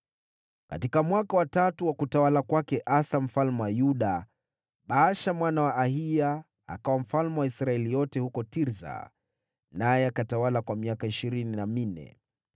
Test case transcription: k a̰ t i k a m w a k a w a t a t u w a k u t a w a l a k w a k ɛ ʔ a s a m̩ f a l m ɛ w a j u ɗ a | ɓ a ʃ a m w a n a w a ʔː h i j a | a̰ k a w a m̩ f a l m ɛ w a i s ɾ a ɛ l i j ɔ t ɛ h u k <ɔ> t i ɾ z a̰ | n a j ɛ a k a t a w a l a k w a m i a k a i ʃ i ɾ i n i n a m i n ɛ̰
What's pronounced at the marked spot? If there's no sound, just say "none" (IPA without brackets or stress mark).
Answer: ɔ